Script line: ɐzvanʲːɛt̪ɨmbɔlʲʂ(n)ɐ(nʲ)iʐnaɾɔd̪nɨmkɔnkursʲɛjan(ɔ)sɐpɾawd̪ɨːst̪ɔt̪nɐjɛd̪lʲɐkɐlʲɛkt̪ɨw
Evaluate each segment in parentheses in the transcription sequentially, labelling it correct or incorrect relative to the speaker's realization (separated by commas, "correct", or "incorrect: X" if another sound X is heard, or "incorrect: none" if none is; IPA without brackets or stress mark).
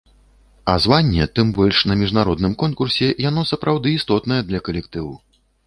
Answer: correct, incorrect: mʲ, correct